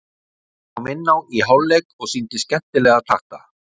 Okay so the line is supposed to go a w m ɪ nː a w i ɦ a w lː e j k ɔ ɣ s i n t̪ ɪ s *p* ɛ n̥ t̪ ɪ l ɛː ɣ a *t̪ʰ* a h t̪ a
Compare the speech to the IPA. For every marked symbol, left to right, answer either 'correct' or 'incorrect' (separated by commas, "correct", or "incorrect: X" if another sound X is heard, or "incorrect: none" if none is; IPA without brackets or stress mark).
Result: incorrect: c, correct